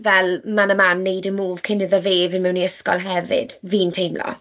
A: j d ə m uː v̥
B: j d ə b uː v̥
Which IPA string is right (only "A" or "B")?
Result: A